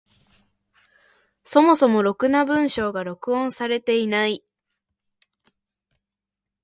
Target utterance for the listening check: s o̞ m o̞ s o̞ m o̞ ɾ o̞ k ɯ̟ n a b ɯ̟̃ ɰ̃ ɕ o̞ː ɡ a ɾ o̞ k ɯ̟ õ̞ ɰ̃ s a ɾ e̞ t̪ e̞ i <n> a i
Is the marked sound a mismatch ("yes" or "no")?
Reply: no